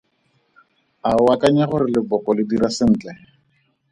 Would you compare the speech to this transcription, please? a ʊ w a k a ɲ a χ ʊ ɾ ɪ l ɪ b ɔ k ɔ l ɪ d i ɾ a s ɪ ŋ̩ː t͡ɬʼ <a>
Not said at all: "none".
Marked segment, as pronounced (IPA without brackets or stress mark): ɛ